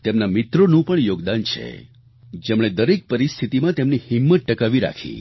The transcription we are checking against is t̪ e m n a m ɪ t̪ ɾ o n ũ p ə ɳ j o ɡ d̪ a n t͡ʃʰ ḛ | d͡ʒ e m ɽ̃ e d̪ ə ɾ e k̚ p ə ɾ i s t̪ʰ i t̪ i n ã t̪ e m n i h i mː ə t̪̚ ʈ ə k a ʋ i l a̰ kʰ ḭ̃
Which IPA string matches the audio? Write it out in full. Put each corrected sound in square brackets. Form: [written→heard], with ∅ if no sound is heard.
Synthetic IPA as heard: t̪ e m n a m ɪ t̪ ɾ o n ũ p ə ɳ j o ɡ d̪ a n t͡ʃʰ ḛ | d͡ʒ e m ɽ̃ e d̪ ə ɾ e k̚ p ə ɾ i s t̪ʰ i t̪ i [n→m] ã t̪ e m n i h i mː ə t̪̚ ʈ ə k a ʋ i [l→ɾ] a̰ kʰ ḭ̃

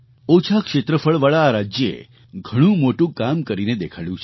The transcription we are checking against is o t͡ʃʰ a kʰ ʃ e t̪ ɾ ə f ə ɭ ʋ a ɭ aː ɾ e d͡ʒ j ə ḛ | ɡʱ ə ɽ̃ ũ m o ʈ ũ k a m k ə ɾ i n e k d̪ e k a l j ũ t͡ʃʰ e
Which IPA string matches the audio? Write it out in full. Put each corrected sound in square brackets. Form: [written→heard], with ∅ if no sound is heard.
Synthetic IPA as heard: o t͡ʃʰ a [kʰ→k] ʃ e t̪ ɾ ə f ə ɭ ʋ a ɭ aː ɾ [e→a] d͡ʒ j ə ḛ | ɡʱ ə ɽ̃ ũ m o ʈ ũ k a m k ə ɾ i n e [k→∅] d̪ e [k→kʰ] a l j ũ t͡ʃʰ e

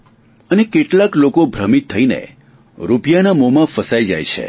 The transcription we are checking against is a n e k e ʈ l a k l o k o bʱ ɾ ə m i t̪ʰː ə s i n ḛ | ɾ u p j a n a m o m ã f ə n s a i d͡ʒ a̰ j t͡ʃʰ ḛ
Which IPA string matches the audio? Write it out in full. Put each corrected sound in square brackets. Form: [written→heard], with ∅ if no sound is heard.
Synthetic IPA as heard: [a→ə] n e k e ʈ l a k l o k o bʱ ɾ ə m i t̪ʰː ə [s→∅] i n ḛ | ɾ u p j a n a m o m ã f ə [n→∅] s a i d͡ʒ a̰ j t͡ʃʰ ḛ

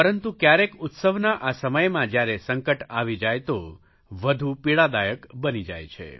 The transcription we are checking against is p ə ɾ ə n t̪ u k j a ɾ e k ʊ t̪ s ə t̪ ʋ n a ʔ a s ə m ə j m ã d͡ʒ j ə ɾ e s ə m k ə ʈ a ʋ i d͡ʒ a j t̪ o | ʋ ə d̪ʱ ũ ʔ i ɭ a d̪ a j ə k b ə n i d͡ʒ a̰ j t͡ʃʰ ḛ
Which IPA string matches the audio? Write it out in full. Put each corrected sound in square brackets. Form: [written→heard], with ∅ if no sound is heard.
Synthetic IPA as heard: p ə ɾ ə n t̪ u k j a ɾ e k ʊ t̪ s ə [t̪→∅] ʋ n a ʔ a s ə m ə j m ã d͡ʒ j [ə→a] ɾ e s ə [m→ŋ] k ə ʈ a ʋ i d͡ʒ a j t̪ o | ʋ ə d̪ʱ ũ [ʔ→p] i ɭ a d̪ a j ə k b ə n i d͡ʒ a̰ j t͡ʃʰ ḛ

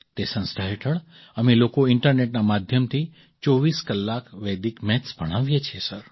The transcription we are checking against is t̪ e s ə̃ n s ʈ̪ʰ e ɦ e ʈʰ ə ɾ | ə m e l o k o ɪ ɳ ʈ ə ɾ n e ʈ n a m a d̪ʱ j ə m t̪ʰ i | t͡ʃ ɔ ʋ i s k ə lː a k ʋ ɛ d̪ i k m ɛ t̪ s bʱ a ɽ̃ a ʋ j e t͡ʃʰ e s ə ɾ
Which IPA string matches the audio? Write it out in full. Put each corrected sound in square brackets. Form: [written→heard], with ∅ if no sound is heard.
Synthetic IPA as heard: t̪ e s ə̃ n s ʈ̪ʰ [e→a] ɦ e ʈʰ ə [ɾ→ɭ] | ə m e l o k o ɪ ɳ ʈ ə ɾ n e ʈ n a m a d̪ʱ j ə m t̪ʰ i | t͡ʃ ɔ ʋ i s k ə lː a k ʋ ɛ d̪ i k m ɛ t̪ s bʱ [a→ə] ɽ̃ a ʋ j e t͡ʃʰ e s ə ɾ

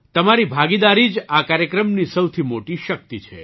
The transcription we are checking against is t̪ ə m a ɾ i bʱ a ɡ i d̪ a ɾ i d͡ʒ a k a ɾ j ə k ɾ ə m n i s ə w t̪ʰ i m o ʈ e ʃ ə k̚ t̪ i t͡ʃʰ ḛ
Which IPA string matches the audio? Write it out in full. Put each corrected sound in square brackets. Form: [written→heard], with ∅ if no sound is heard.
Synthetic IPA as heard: t̪ ə m a ɾ i bʱ a ɡ i d̪ a ɾ i d͡ʒ a k a ɾ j ə k ɾ ə m n i s ə w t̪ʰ i m o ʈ [e→i] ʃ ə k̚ t̪ i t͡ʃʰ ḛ

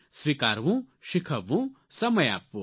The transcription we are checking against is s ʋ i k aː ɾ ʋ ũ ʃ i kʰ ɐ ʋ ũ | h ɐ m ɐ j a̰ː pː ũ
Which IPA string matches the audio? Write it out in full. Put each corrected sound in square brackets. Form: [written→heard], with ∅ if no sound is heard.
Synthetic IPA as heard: s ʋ i k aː ɾ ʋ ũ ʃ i kʰ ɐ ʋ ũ | [h→s] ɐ m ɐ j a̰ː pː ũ

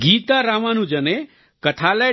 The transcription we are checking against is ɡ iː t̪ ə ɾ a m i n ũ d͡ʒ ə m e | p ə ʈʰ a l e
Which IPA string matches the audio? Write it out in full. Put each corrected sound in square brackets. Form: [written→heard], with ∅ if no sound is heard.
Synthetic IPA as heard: ɡ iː t̪ [ə→a] ɾ a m [i→a] n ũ d͡ʒ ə [m→n] e | [p→k] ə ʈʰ a l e

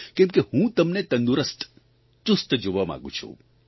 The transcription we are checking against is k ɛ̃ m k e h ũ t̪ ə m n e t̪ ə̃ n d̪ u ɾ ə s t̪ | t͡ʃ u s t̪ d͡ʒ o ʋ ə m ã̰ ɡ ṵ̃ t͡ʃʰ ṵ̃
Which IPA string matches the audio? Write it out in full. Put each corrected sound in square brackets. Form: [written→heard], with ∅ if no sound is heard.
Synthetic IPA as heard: k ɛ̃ m k e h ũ t̪ ə m n e t̪ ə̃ n d̪ u ɾ ə s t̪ | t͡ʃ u s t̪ d͡ʒ o ʋ [ə→a] m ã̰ ɡ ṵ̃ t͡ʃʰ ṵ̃

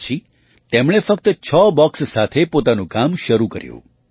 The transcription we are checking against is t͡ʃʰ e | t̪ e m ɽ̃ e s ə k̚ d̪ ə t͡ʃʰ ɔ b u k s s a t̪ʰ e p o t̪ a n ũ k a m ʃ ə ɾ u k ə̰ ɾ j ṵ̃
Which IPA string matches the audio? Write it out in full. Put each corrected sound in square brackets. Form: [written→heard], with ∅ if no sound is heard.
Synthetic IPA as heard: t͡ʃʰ [e→i] | t̪ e m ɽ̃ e [s→f] ə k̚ [d̪→t̪] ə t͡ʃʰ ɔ b [u→ɔ] k s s a t̪ʰ e p o t̪ a n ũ k a m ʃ ə ɾ u k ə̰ ɾ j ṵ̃

